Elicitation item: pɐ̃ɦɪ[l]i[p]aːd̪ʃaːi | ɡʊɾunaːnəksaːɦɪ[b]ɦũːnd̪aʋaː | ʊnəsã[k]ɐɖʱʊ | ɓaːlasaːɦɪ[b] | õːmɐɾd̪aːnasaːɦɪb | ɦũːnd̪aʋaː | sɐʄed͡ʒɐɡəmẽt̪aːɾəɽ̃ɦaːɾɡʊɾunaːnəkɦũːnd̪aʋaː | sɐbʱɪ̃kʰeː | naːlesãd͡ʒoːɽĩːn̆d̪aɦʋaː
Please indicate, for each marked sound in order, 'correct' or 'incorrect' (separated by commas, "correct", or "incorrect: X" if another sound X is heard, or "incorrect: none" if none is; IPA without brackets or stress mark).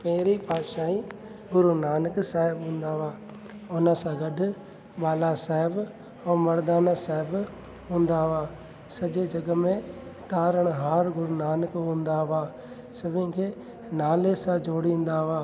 incorrect: ɾ, correct, correct, incorrect: ɡ, correct